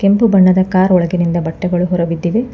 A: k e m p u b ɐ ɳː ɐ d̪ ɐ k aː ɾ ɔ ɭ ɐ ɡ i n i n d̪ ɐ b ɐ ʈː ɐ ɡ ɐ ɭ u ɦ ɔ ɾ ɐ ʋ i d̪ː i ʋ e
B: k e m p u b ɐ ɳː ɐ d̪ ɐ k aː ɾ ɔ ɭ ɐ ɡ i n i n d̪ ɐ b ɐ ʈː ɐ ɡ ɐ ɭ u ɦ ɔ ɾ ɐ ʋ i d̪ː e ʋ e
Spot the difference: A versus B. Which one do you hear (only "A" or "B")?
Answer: A